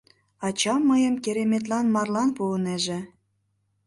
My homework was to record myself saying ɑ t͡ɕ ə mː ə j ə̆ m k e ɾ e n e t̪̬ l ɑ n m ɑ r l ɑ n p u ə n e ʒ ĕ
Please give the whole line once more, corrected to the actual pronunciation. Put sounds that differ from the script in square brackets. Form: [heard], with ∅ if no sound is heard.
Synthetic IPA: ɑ t͡ɕ [ɑ] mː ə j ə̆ m k e ɾ e [m] e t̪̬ l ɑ n m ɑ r l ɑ n p u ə n e ʒ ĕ